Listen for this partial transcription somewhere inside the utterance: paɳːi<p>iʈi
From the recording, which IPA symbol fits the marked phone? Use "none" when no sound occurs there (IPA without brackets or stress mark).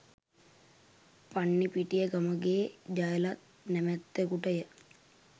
p